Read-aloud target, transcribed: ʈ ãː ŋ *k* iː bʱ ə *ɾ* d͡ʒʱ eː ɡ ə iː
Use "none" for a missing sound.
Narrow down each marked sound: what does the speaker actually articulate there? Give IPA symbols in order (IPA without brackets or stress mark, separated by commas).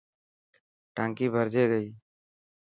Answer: k, ɾ